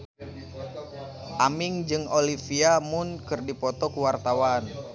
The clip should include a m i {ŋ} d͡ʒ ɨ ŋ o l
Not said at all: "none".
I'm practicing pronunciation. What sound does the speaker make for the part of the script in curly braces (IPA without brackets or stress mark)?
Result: ŋ